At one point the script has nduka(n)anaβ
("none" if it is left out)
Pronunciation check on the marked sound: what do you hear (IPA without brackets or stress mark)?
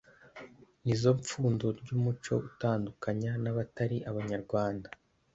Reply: ɲ